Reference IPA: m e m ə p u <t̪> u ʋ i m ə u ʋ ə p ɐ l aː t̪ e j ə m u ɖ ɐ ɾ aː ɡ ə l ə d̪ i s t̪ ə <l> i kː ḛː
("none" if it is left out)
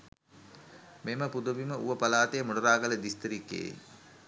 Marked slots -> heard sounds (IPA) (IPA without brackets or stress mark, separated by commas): d̪, ɾ